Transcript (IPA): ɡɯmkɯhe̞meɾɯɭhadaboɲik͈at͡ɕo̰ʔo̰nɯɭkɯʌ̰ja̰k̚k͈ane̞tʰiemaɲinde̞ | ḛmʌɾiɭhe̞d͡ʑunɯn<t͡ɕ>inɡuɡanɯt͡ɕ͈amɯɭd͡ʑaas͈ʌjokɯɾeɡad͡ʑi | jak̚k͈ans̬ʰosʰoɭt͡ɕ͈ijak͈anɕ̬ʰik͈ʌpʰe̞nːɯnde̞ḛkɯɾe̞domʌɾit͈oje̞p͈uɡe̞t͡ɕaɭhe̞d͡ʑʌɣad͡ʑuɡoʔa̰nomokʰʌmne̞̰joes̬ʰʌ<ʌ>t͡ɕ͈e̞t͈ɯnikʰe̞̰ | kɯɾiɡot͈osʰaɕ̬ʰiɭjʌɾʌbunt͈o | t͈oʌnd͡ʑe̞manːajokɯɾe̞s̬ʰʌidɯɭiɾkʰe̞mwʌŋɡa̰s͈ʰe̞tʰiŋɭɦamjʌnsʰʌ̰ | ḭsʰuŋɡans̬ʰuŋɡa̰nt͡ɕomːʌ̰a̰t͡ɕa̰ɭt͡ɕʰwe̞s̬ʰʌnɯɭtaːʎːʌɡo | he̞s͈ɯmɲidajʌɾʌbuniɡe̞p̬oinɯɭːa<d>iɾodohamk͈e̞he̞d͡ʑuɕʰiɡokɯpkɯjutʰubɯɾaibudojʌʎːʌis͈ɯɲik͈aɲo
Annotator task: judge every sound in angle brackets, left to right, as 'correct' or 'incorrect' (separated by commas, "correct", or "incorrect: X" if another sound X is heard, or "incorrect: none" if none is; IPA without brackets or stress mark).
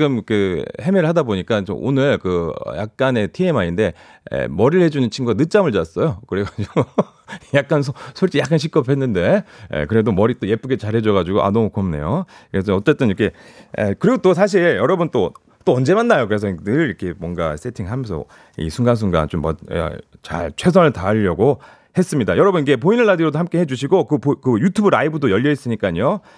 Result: incorrect: t͡ɕʰ, correct, correct